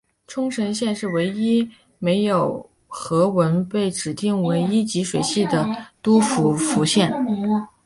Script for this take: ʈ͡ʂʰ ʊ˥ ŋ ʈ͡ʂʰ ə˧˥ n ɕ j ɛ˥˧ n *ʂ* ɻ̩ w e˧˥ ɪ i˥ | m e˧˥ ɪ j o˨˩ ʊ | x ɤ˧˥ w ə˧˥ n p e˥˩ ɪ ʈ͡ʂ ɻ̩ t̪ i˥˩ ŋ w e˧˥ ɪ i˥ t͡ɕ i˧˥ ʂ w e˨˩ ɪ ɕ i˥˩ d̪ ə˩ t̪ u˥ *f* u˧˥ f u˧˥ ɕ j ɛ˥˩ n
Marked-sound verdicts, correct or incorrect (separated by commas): correct, correct